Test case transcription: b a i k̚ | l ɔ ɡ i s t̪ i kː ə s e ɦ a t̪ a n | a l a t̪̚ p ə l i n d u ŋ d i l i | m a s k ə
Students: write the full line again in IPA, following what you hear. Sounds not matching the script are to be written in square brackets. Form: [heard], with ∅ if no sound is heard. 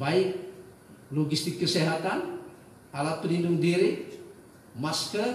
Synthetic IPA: b a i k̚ | l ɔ ɡ i s t̪ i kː ə s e ɦ a t̪ a n | a l a t̪̚ p ə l i n d u ŋ d i [ɾ] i | m a s k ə